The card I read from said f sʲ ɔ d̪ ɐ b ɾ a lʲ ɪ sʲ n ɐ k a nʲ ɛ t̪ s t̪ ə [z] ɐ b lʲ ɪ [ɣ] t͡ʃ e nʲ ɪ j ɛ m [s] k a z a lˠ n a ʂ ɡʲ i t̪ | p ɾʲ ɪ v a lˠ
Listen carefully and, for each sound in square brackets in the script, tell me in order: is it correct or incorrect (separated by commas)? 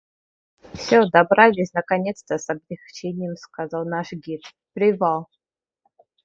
incorrect, incorrect, correct